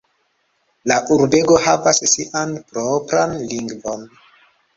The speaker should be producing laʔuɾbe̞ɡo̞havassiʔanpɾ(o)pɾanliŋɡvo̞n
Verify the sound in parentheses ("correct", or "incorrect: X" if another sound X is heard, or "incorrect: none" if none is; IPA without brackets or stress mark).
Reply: correct